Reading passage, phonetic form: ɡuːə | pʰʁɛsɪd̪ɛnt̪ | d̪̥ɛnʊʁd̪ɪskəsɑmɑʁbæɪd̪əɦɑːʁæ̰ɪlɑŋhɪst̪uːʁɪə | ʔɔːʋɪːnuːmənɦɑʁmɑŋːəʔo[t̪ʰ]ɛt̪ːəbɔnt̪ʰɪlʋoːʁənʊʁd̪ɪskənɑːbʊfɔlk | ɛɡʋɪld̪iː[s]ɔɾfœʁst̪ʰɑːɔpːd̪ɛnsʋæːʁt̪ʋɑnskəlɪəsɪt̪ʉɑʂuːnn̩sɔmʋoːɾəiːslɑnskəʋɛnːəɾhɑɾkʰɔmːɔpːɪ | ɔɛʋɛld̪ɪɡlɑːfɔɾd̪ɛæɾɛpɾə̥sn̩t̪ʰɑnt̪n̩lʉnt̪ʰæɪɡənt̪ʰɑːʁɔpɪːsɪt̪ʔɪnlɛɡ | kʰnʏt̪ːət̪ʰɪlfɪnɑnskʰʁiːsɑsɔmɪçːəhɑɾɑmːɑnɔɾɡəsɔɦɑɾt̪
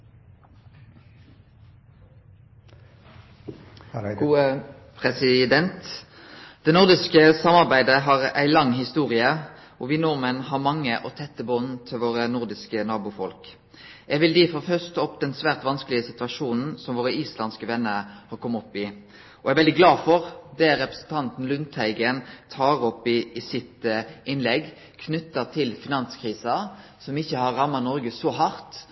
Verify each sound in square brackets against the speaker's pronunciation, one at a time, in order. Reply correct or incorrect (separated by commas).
correct, incorrect